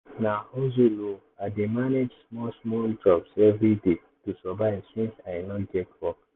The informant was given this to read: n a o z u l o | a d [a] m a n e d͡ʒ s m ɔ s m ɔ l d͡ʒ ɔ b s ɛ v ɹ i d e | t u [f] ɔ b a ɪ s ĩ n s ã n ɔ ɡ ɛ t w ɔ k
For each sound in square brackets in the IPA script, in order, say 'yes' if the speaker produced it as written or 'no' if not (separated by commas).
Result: no, no